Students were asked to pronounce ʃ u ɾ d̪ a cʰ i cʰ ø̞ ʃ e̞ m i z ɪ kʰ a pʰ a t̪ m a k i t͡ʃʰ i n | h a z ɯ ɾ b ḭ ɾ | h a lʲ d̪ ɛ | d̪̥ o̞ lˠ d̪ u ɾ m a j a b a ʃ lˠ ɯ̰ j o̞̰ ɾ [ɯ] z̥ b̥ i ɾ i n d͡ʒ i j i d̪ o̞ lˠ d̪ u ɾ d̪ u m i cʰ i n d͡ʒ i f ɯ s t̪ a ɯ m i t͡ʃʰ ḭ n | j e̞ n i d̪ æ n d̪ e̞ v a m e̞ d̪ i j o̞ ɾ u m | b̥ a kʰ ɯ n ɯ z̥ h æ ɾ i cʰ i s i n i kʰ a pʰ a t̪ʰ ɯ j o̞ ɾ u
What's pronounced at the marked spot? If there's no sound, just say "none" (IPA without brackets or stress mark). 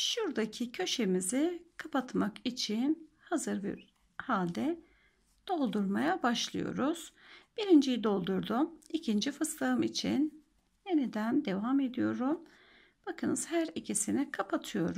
u